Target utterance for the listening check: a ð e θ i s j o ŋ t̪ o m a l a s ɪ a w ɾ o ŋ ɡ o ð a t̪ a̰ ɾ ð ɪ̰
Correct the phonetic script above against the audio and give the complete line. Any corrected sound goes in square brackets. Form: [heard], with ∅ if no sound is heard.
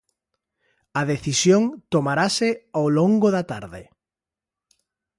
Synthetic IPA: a ð e θ i s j o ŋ t̪ o m a [ɾ] a s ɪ a w [l] o ŋ ɡ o ð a t̪ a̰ ɾ ð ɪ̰